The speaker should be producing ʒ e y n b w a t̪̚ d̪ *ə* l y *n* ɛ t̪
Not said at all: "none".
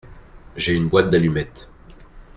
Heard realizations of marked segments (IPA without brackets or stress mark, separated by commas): a, m